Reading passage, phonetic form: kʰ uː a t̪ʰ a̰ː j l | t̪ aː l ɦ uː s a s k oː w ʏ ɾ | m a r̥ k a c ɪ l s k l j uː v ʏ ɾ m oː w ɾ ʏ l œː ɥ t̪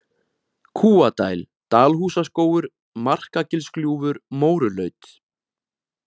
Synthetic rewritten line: kʰ uː a t̪ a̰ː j l | t̪ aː l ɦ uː s a s k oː w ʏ ɾ | m a r̥ k a c ɪ l s k l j uː v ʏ ɾ m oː w ɾ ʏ l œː ɥ t̪